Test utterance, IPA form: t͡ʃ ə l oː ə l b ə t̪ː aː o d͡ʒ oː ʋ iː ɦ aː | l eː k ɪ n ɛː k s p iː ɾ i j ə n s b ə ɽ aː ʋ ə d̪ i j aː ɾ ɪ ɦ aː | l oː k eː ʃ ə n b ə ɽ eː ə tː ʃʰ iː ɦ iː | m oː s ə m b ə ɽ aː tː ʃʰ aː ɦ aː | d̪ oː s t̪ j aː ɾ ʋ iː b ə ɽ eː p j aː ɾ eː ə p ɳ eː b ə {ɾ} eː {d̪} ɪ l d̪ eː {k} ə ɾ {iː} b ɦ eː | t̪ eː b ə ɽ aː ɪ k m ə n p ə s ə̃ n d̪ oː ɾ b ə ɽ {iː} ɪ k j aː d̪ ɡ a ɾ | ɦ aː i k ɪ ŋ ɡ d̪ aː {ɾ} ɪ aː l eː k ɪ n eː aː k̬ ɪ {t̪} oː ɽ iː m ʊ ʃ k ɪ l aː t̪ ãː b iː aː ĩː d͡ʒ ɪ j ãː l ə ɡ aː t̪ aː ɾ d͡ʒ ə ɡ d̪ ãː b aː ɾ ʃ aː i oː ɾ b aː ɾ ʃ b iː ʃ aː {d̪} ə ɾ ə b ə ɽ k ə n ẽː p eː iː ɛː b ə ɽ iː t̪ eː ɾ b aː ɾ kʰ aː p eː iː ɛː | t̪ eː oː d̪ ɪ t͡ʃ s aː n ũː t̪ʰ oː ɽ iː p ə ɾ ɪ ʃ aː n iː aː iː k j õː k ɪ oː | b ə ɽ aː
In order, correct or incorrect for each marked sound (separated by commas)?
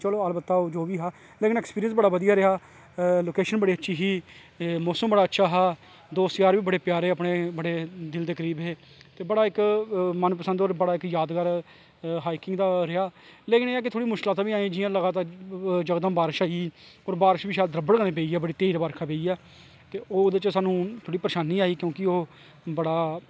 incorrect, correct, correct, correct, incorrect, correct, incorrect, correct